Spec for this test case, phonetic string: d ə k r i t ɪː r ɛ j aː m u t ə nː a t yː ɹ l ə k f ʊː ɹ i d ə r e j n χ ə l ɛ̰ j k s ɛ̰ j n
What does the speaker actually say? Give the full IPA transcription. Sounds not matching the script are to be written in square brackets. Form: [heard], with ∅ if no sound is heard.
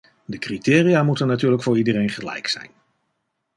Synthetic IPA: d ə k r i t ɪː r [i] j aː m u t ə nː a t yː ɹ l ə k f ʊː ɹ i d ə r e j n χ ə l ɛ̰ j k s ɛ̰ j n